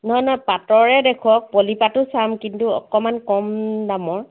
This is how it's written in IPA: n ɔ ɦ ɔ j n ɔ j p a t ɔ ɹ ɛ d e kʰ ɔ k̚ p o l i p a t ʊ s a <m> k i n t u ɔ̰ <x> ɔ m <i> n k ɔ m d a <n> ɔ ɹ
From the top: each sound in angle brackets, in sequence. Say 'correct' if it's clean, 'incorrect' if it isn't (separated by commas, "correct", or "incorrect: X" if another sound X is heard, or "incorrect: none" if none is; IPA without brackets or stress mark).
correct, incorrect: k, incorrect: a, incorrect: m